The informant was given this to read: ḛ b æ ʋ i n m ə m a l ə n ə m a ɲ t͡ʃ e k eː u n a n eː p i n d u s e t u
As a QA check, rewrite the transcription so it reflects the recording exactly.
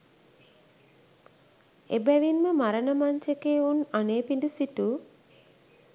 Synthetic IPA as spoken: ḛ b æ ʋ i n m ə m a ɾ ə n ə m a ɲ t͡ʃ e k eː u n a n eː p i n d u s i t u

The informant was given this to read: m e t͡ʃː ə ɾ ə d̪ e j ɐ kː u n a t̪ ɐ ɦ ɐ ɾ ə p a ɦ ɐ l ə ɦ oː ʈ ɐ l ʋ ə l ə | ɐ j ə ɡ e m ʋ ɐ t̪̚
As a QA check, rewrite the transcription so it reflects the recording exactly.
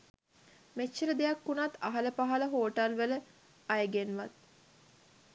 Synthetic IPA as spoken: m e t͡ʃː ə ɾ ə d̪ e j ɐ kː u n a t̪ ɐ ɦ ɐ l ə p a ɦ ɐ l ə ɦ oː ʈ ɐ l ʋ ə l ə | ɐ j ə ɡ e n ʋ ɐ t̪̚

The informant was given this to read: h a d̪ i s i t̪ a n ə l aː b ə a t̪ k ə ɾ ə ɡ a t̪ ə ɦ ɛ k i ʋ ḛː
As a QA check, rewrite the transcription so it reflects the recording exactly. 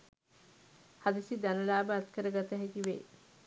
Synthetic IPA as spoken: h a d̪ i s i d̪ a n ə l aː b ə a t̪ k ə ɾ ə ɡ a t̪ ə ɦ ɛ k i ʋ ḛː

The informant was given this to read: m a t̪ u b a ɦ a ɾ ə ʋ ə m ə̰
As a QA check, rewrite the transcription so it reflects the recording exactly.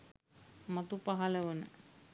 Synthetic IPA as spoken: m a t̪ u p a ɦ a l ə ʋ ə n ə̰

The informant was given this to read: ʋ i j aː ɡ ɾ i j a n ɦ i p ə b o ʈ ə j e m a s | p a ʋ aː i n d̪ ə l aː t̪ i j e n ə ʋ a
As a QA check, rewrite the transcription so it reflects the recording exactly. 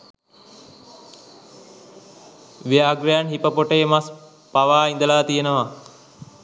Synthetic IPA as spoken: ʋ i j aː ɡ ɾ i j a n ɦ i p ə p o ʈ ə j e m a s | p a ʋ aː i n d̪ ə l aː t̪ i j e n ə ʋ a

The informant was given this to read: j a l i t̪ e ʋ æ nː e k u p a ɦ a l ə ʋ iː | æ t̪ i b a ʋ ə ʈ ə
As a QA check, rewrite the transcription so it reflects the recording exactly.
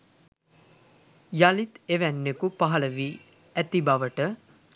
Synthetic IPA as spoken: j a l i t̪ e ʋ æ nː e k u p a ɦ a l ə ʋ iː | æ t̪ i b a ʋ ə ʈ ə

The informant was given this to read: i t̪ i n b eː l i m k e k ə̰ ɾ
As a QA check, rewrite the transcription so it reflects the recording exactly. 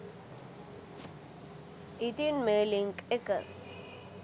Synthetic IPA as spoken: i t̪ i n m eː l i ŋ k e k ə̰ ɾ

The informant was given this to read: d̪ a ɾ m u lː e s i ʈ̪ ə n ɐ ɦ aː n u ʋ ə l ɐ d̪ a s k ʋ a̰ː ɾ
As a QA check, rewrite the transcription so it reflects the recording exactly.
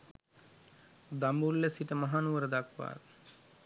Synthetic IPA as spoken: d̪ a m u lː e s i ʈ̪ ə m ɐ ɦ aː n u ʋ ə ɾ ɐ d̪ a k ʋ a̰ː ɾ

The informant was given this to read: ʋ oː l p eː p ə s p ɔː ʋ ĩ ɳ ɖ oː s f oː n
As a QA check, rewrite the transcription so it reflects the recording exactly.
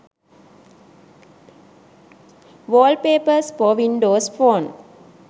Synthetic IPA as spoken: ʋ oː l p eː p ə s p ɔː ʋ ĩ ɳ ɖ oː s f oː n

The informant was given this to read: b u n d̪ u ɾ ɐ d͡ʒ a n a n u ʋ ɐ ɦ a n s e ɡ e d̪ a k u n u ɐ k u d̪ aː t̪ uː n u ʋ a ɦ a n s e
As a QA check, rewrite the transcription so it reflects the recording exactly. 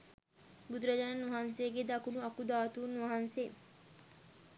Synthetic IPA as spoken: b u d̪ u ɾ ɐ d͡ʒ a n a n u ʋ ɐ ɦ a n s e ɡ e d̪ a k u n u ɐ k u d̪ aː t̪ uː n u ʋ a ɦ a n s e

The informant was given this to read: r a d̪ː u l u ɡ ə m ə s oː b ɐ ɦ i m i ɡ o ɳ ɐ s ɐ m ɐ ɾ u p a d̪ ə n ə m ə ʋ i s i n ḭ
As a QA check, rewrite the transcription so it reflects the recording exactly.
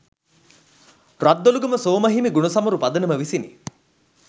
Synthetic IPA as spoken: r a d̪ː o l u ɡ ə m ə s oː m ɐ ɦ i m i ɡ u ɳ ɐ s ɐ m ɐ ɾ u p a d̪ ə n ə m ə ʋ i s i n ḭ

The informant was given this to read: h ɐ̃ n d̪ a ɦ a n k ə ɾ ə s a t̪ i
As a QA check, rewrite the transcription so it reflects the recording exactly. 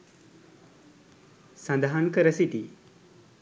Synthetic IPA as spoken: s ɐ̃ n d̪ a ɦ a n k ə ɾ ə s i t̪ i

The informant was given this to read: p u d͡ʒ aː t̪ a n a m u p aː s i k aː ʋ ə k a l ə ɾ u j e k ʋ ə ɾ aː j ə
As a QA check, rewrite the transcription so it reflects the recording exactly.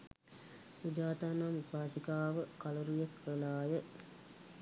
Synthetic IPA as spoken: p u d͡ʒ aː t̪ a n a m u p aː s i k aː ʋ ə k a l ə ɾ u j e k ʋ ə l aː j ə

